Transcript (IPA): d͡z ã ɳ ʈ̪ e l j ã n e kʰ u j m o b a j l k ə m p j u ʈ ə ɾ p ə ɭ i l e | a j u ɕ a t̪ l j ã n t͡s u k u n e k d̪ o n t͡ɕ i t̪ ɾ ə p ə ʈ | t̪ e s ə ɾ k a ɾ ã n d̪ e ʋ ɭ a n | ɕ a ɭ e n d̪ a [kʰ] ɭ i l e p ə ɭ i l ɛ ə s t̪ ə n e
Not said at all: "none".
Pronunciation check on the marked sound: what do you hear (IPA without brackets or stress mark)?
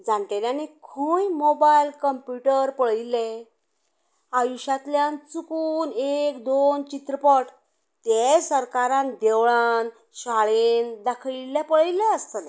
kʰ